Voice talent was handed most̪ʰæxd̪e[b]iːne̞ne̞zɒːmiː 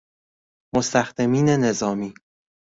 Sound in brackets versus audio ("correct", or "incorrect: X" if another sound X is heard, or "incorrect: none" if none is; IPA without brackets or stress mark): incorrect: m